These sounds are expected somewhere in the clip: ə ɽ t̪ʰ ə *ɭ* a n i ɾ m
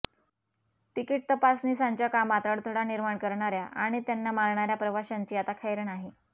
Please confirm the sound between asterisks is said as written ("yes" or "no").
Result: no